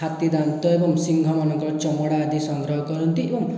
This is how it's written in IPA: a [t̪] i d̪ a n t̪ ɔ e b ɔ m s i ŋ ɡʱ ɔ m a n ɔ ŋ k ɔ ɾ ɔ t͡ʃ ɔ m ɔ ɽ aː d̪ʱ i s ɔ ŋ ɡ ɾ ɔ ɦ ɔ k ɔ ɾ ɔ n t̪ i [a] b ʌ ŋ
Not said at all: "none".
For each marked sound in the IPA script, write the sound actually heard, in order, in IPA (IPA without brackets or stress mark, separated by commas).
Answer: t̪, e